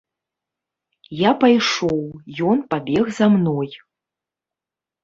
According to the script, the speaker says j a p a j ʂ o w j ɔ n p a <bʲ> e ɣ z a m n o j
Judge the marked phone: correct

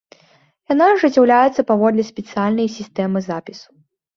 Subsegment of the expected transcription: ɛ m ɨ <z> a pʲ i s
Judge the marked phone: correct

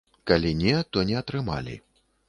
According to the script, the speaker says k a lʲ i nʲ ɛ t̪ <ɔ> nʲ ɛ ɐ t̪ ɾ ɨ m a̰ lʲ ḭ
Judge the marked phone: correct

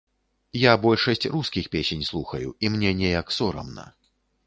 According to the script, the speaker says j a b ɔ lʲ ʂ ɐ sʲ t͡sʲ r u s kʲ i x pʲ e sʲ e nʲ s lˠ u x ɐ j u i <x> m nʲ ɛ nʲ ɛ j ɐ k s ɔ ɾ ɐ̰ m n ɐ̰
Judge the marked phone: incorrect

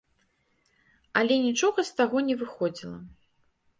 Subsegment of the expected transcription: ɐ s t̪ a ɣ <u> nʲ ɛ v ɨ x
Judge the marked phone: incorrect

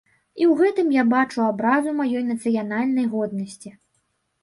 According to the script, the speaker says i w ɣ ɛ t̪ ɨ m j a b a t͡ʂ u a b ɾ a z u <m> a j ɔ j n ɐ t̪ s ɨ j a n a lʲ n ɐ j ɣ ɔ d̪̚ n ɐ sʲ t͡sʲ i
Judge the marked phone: correct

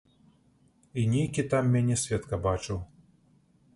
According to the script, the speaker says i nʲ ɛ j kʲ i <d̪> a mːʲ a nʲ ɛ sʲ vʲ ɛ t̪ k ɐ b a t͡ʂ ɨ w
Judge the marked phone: incorrect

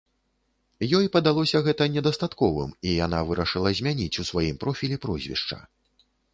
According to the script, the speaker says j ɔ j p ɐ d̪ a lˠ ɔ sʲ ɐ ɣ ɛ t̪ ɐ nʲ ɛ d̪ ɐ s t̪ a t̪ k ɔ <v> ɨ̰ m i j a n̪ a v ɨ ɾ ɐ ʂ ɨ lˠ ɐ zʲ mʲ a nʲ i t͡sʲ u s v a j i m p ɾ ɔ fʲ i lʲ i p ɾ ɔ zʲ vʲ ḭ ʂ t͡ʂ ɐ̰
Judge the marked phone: correct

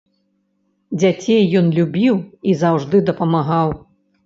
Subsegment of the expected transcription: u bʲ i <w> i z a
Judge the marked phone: correct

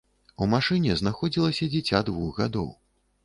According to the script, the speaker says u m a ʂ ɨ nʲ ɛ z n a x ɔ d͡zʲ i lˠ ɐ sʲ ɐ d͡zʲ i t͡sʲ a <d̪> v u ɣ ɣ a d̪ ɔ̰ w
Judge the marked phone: correct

